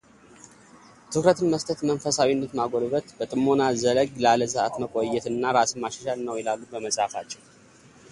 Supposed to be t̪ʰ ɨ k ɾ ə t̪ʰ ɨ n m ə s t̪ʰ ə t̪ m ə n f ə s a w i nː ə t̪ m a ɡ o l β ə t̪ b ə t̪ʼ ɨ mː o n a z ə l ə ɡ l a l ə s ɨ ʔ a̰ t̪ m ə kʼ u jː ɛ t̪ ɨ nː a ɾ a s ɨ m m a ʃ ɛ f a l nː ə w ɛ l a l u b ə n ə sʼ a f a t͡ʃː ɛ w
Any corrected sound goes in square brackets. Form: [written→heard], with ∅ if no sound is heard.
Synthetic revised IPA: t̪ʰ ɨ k ɾ ə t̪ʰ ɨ n m ə s t̪ʰ ə t̪ m ə n f ə s a w i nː ə t̪ m a ɡ o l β ə t̪ b ə t̪ʼ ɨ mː o n a z ə l ə ɡ l a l ə s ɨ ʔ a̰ t̪ m ə kʼ [u→o] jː ɛ t̪ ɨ nː a ɾ a s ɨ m m a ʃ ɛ [f→ʃ] a l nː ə w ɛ l a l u b ə [n→m] ə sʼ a f a t͡ʃː ɛ w